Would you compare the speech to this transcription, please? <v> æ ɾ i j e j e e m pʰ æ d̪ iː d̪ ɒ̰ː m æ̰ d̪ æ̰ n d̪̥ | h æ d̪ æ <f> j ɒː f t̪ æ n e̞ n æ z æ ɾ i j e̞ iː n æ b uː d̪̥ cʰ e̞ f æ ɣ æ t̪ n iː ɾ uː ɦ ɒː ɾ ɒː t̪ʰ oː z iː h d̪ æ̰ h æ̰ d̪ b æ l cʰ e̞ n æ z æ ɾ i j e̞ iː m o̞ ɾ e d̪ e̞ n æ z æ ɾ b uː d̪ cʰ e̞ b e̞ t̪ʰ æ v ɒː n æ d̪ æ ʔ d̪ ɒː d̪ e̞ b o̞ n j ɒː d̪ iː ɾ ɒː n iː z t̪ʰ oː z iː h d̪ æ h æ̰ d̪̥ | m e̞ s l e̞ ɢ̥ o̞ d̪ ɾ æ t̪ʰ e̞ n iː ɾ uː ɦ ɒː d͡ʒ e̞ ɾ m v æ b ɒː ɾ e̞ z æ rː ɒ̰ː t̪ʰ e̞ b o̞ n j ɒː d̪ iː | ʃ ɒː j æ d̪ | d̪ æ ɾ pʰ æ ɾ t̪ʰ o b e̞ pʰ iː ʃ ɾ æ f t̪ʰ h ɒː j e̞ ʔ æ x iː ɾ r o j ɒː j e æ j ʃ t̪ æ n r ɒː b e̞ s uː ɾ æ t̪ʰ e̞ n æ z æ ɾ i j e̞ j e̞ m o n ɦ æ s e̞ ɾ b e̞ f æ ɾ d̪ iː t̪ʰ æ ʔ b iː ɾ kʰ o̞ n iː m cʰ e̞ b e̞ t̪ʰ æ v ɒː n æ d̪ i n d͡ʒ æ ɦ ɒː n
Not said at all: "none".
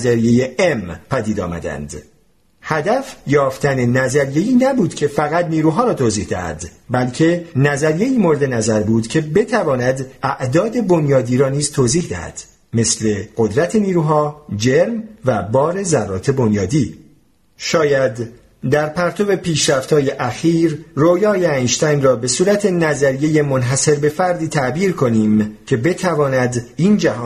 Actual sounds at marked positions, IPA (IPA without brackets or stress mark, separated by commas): z, f